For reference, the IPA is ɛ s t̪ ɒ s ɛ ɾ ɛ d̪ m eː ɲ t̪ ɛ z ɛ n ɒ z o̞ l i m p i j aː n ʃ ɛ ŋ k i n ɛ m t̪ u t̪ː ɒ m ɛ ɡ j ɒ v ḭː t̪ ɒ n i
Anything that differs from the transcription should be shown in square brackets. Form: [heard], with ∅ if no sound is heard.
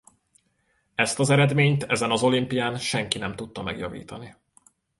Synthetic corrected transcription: ɛ s t̪ ɒ [z] ɛ ɾ ɛ d̪ m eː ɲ t̪ ɛ z ɛ n ɒ z o̞ l i m p i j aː n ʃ ɛ ŋ k i n ɛ m t̪ u t̪ː ɒ m ɛ ɡ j ɒ v ḭː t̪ ɒ n i